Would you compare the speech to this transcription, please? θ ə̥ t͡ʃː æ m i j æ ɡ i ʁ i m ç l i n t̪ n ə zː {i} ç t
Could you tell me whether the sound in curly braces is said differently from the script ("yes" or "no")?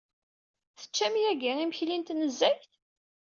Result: yes